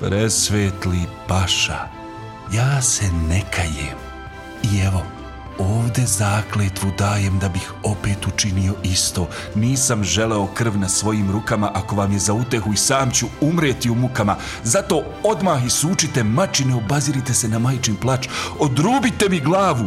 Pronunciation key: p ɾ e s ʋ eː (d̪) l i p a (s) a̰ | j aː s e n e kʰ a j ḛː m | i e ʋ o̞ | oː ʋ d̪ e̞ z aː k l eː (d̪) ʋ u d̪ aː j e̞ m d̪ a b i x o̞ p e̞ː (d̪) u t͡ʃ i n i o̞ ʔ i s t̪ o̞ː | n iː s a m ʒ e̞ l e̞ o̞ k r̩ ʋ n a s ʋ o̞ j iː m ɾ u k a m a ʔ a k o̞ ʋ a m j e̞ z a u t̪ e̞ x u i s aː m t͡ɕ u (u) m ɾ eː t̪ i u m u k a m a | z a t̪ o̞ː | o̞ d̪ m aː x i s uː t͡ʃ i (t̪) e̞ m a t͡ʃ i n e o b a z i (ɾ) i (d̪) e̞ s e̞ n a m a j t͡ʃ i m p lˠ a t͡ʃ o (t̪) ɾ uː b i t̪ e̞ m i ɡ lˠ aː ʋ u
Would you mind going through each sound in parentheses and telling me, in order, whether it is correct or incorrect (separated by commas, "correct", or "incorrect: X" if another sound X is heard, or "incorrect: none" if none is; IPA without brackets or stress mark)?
incorrect: t̪, incorrect: ʃ, incorrect: t̪, incorrect: t̪, correct, correct, correct, incorrect: t̪, incorrect: d̪